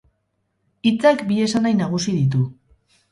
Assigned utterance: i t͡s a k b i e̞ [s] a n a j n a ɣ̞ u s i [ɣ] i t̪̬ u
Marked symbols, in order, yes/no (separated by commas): yes, no